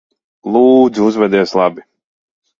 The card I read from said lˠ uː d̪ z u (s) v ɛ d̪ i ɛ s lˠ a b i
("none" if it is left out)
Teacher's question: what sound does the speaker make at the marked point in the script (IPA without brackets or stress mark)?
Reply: z